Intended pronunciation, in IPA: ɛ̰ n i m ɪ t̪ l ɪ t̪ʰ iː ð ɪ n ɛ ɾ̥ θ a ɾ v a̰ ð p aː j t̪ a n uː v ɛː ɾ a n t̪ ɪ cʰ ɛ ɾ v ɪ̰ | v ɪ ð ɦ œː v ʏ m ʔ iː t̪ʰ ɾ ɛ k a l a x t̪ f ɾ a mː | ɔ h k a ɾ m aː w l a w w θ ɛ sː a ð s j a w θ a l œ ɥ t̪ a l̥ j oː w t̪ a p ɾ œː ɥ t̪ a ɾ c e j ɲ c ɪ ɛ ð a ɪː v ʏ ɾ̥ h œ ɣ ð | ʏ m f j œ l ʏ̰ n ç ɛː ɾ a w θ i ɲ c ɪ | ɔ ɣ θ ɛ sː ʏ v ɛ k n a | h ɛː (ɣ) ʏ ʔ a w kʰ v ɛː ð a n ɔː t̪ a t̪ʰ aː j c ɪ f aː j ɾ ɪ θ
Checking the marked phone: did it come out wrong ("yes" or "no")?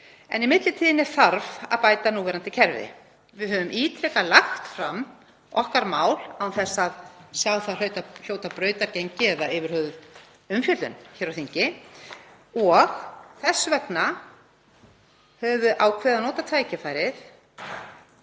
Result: yes